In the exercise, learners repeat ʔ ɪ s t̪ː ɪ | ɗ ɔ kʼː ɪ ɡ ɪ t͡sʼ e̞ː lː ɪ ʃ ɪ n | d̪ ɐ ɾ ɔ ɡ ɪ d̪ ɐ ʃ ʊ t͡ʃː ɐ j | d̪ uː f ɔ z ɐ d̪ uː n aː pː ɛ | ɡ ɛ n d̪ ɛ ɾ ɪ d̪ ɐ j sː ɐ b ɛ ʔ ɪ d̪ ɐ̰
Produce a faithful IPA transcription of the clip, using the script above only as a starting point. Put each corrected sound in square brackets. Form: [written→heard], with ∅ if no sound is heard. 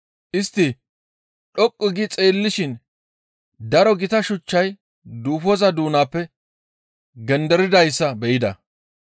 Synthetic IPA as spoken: ʔ ɪ s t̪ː ɪ | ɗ ɔ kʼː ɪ ɡ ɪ t͡sʼ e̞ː lː ɪ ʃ ɪ n | d̪ ɐ ɾ ɔ ɡ ɪ [d̪→t̪] ɐ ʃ ʊ t͡ʃː ɐ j | d̪ uː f ɔ z ɐ d̪ uː n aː pː ɛ | ɡ ɛ n d̪ ɛ ɾ ɪ d̪ ɐ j sː ɐ b ɛ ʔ ɪ d̪ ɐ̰

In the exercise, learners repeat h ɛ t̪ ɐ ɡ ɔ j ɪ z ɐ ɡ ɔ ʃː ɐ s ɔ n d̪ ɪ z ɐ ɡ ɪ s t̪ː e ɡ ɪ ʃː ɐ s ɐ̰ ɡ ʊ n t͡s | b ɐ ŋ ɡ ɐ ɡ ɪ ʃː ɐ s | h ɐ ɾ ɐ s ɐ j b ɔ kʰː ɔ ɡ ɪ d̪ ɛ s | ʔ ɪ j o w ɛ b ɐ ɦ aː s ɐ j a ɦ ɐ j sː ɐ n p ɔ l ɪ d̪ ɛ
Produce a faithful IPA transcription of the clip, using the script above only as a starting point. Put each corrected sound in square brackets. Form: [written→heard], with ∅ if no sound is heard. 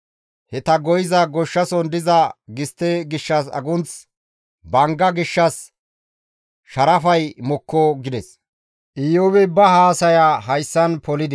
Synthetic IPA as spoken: h ɛ t̪ ɐ ɡ ɔ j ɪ z ɐ ɡ ɔ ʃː ɐ s ɔ n d̪ ɪ z ɐ ɡ ɪ s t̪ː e ɡ ɪ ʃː ɐ s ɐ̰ ɡ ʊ n t͡s | b ɐ ŋ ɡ ɐ ɡ ɪ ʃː ɐ s | [h→ʃ] ɐ ɾ ɐ [s→f] ɐ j [b→m] ɔ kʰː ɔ ɡ ɪ d̪ ɛ s | ʔ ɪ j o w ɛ b ɐ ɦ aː s ɐ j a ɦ ɐ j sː ɐ n p ɔ l ɪ d̪ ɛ

